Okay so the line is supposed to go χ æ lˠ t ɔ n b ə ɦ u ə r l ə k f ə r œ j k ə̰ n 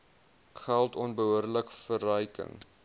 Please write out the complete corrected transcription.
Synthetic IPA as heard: χ æ lˠ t ɔ n b ə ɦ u ə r l ə k f ə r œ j k ə̰ ŋ